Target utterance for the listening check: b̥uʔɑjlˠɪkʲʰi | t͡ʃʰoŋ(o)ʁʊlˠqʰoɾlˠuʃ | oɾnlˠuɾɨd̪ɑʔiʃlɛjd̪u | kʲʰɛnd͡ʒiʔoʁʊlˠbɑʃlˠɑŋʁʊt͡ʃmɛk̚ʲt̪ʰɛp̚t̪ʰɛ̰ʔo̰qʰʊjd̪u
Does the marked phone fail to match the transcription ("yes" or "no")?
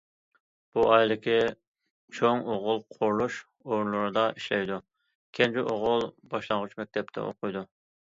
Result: no